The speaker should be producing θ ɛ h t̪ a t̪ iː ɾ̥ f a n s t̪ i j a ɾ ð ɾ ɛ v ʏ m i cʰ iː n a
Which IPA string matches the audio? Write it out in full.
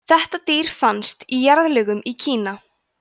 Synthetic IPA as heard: θ ɛ h t̪ a t̪ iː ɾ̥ f a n s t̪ i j a ɾ ð l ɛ ɣ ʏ m i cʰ iː n a